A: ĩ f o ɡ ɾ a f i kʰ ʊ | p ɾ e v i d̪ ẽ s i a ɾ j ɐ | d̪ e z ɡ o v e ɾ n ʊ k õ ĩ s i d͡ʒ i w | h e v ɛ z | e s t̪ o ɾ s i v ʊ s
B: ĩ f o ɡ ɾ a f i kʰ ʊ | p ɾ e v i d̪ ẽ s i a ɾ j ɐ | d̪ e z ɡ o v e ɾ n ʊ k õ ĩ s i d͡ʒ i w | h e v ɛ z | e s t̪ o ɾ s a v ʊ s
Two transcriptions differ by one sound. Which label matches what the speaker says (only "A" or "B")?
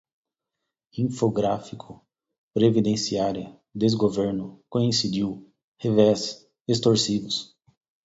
A